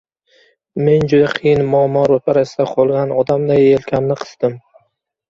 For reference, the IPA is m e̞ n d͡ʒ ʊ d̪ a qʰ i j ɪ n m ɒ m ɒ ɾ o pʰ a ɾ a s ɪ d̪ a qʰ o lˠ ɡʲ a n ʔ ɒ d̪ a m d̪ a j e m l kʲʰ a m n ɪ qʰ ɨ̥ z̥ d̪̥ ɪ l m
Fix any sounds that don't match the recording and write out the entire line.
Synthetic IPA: m e̞ n d͡ʒ ʊ d̪ a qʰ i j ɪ n m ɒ m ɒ ɾ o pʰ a ɾ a s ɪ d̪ a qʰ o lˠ ɡʲ a n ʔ ɒ d̪ a m d̪ a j e l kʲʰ a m n ɪ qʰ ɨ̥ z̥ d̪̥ ɪ m